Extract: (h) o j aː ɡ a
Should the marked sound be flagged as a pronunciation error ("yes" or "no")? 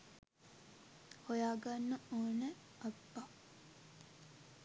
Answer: no